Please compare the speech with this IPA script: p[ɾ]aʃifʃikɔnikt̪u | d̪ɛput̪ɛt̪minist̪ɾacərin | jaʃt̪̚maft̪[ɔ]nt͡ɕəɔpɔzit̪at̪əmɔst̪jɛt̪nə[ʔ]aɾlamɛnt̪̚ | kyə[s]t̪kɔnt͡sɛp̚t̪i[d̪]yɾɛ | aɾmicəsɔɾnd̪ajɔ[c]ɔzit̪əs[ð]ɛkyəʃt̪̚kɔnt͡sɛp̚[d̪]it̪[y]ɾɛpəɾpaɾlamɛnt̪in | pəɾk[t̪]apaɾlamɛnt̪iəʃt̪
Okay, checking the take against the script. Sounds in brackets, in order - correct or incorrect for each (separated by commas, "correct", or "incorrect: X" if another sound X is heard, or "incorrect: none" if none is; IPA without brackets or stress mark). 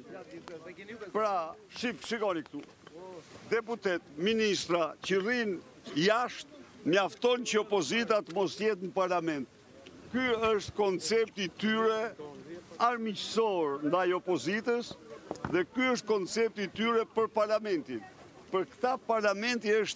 correct, correct, incorrect: p, incorrect: ʃ, incorrect: t̪, incorrect: p, correct, incorrect: t̪, correct, correct